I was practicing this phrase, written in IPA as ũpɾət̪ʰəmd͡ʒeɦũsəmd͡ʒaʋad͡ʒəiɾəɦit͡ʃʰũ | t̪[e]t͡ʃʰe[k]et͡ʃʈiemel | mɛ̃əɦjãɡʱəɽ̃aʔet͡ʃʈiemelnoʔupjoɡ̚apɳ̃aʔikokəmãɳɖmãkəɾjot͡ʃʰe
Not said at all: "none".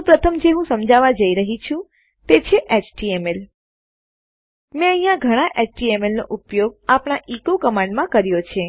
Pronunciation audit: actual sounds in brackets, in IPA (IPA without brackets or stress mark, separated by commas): e, ʔ